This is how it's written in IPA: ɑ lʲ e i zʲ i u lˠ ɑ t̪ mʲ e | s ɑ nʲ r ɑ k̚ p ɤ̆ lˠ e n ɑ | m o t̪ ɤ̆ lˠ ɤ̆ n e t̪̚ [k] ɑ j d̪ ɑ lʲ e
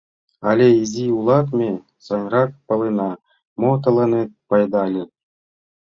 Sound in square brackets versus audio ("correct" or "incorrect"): incorrect